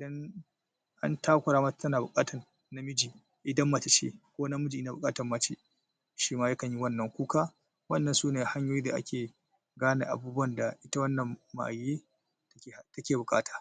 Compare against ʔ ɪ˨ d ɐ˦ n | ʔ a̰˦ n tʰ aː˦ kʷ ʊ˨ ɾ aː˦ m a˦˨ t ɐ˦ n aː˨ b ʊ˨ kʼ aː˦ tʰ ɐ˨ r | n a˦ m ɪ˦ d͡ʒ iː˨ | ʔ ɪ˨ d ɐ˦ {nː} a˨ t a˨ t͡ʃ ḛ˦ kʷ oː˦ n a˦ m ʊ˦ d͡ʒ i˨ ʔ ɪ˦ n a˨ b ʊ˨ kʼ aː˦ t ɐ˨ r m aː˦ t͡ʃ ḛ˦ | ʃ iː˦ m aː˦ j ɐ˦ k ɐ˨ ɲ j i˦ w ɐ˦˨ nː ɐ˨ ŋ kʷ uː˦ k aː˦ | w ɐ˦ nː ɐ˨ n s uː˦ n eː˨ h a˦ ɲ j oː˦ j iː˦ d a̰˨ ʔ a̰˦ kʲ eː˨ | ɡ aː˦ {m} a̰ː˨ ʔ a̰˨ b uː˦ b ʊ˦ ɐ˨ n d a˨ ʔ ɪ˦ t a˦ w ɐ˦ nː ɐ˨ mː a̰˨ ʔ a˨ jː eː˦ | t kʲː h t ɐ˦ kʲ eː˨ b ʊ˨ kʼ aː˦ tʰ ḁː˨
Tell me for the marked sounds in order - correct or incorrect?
incorrect: mː, incorrect: n

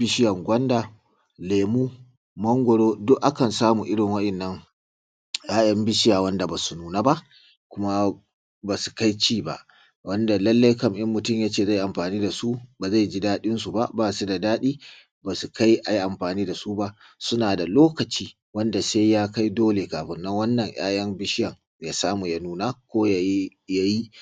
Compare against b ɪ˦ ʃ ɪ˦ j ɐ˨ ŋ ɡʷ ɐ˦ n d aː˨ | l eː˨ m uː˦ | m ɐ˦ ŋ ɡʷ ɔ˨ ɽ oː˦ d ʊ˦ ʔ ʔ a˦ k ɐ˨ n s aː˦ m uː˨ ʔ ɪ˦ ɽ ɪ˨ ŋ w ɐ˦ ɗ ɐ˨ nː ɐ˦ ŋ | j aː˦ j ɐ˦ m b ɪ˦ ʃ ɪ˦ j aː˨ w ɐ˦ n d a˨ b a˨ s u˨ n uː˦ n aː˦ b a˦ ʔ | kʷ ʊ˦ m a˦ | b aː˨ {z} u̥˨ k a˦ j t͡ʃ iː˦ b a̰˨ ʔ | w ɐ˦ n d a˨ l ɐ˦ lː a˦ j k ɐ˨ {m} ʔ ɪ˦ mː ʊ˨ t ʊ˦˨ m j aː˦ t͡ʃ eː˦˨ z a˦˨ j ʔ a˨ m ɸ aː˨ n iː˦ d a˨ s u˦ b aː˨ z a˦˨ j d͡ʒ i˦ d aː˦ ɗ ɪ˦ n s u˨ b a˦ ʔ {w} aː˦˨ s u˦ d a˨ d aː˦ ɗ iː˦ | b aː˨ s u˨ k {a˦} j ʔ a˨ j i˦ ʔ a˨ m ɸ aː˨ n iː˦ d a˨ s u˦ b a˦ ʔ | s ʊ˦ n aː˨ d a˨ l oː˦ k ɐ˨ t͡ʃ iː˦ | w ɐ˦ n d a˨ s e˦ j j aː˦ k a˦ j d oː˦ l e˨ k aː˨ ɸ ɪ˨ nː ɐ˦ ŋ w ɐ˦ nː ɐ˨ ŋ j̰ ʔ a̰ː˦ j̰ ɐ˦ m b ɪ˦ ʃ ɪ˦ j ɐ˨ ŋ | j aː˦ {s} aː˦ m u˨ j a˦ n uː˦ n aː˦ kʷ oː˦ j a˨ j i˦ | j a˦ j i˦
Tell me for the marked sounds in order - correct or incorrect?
incorrect: s, correct, incorrect: b, correct, correct

